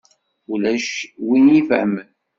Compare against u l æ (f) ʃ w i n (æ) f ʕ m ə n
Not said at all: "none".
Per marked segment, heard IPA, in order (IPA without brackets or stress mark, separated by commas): none, i